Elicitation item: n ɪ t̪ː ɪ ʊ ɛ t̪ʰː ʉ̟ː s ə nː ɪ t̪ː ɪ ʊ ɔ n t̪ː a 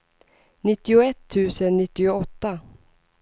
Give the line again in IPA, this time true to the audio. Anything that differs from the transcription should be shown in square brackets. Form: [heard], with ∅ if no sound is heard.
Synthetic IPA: n ɪ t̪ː ɪ ʊ ɛ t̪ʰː ʉ̟ː s ə nː ɪ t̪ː ɪ ʊ ɔ [∅] t̪ː a